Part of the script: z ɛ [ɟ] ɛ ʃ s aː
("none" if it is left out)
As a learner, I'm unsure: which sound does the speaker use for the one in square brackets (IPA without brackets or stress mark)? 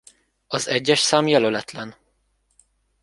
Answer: ɟː